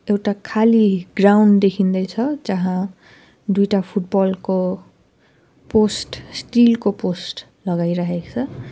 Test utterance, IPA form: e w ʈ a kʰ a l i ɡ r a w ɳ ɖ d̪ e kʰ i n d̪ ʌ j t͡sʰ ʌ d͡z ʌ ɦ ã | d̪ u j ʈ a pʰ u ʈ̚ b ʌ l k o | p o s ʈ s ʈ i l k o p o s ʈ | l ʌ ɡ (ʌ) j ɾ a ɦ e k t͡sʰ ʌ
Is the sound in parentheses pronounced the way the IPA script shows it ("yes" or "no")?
no